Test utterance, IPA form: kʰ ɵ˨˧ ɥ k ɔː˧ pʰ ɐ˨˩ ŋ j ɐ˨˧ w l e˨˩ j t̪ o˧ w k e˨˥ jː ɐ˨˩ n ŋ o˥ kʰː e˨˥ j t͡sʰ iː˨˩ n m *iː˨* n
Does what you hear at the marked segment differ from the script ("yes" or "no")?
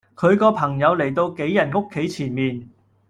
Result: no